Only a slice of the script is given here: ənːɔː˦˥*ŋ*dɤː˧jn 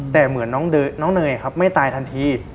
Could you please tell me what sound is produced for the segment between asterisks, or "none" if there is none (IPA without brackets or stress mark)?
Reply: ŋ